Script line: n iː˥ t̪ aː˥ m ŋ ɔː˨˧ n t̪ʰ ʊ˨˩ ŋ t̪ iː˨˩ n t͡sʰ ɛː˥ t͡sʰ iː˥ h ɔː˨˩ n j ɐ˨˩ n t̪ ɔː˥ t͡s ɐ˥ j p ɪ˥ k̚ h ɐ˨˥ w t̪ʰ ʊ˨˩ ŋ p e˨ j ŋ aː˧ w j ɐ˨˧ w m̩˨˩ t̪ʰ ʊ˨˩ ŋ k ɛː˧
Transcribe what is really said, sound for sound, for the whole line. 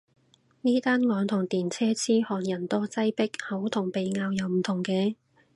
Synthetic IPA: n iː˥ t̪ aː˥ n ŋ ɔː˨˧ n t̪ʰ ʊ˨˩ ŋ t̪ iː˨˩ n t͡sʰ ɛː˥ t͡sʰ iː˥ h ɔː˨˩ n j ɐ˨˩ n t̪ ɔː˥ t͡s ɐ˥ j p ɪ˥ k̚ h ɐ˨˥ w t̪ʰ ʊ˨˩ ŋ p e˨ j ŋ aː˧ w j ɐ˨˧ w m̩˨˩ t̪ʰ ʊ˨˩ ŋ k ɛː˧